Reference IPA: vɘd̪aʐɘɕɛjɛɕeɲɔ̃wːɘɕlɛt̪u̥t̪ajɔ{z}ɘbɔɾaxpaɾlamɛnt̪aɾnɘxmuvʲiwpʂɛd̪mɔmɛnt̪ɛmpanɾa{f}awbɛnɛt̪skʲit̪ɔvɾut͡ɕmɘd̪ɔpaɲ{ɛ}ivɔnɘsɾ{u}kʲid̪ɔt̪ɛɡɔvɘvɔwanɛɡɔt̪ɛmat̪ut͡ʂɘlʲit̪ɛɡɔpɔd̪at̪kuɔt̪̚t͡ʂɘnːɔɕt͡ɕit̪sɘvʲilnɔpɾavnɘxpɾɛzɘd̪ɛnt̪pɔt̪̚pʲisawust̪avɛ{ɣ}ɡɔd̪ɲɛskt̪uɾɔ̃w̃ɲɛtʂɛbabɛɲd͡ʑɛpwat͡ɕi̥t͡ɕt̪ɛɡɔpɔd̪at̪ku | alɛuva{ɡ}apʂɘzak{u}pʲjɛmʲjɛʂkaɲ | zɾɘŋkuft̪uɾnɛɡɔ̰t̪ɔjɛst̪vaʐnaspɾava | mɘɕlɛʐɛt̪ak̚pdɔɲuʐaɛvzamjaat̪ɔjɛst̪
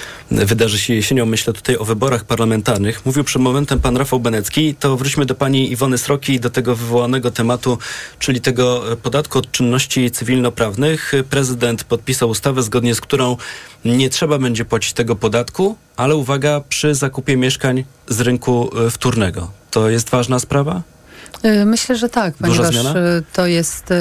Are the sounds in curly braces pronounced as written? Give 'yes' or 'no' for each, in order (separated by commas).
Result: no, yes, no, no, no, yes, yes